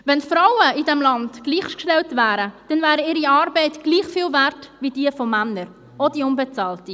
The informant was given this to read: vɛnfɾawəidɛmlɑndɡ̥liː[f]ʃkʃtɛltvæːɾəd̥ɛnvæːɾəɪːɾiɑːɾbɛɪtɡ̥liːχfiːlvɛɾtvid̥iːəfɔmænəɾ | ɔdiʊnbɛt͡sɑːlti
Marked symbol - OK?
no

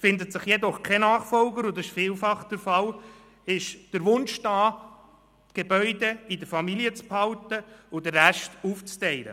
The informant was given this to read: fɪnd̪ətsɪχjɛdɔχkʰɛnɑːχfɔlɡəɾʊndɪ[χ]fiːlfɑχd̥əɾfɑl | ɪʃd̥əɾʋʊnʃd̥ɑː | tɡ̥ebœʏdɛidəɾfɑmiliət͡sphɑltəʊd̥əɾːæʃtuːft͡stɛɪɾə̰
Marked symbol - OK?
no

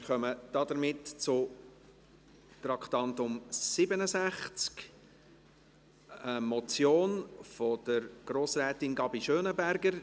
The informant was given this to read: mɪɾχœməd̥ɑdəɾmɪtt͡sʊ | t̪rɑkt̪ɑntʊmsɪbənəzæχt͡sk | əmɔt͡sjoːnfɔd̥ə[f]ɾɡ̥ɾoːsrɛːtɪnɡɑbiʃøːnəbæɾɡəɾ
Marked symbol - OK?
no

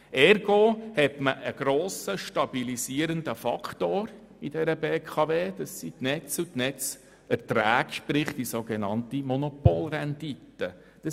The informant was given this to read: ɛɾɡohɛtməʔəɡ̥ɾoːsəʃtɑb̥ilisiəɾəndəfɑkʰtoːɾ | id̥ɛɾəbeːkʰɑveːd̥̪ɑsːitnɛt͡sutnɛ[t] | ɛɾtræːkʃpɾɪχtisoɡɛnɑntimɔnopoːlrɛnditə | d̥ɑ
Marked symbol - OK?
no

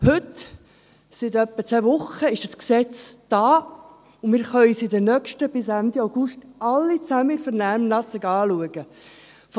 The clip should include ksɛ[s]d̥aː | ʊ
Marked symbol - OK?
no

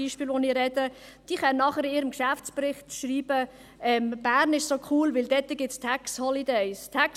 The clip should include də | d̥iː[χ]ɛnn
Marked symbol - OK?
yes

